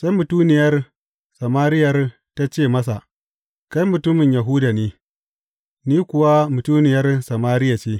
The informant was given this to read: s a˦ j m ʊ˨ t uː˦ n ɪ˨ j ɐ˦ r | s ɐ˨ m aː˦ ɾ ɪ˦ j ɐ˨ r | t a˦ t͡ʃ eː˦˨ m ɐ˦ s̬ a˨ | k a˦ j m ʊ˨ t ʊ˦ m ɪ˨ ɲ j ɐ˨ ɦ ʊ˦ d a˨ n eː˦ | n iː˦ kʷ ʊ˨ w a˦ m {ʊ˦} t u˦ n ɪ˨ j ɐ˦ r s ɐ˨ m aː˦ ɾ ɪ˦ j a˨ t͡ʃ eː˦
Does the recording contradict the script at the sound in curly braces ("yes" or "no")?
yes